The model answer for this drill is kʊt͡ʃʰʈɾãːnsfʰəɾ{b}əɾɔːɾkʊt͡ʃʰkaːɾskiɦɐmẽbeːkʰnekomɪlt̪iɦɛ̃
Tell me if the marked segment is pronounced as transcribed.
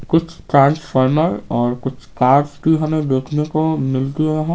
no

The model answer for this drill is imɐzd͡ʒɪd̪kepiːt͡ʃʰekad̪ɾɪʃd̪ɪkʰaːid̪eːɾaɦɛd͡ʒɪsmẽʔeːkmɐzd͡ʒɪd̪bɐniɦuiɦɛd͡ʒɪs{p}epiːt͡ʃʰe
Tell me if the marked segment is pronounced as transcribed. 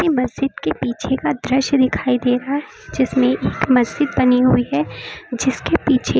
no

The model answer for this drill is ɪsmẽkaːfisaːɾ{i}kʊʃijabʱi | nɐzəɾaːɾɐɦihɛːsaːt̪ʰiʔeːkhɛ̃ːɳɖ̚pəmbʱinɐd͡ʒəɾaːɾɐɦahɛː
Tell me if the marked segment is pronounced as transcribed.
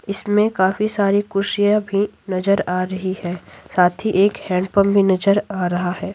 yes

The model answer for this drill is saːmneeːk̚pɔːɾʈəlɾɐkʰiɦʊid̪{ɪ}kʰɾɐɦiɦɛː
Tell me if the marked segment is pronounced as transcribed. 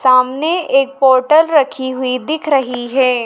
yes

